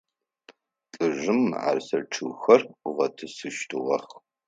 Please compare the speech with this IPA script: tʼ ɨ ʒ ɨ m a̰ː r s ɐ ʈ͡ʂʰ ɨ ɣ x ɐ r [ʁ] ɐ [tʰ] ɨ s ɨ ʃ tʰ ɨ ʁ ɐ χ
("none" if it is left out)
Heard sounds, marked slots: ʁ, tʰ

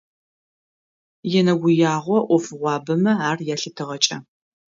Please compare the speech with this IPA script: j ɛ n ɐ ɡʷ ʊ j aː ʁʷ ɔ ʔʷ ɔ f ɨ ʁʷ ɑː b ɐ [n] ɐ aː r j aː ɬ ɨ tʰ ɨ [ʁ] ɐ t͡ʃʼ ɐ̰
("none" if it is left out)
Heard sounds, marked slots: m, ʁ

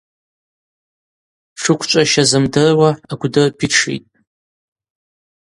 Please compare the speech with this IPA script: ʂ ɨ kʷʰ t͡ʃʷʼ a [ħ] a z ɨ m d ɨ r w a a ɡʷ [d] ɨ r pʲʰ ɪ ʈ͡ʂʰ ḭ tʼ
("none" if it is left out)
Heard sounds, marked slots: ʃ, d

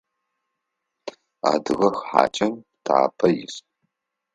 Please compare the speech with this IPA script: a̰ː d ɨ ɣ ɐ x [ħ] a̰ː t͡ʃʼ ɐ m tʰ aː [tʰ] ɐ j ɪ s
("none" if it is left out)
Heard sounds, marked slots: ħ, pʰ

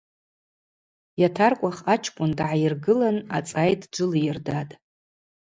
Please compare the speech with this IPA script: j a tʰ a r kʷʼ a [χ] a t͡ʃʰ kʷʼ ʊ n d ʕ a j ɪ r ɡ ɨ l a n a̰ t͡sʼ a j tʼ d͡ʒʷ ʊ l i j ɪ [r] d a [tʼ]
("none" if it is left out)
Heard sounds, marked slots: χ, r, tʼ

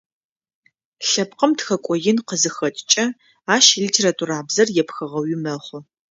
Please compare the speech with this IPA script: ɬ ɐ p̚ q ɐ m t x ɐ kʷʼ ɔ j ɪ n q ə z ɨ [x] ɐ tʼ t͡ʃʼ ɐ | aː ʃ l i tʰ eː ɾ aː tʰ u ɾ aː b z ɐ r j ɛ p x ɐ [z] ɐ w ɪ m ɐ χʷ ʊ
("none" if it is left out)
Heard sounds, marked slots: x, ʁ

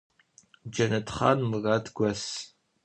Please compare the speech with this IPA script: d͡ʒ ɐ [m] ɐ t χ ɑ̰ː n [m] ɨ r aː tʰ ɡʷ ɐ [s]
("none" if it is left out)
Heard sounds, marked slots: n, m, s

